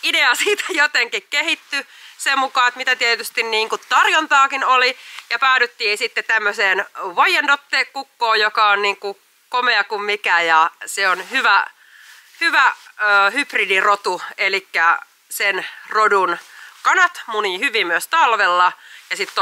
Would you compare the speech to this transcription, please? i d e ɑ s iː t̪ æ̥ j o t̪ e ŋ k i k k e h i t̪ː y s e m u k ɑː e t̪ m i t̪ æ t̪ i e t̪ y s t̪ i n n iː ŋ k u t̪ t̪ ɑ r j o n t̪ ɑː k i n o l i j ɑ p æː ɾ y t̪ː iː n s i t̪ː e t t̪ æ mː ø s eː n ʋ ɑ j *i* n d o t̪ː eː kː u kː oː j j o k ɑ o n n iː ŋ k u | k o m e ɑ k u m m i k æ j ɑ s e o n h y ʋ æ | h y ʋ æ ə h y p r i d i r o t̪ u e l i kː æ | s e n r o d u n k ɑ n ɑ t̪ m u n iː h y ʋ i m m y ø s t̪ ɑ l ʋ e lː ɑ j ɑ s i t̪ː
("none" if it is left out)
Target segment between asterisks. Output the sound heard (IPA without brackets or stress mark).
e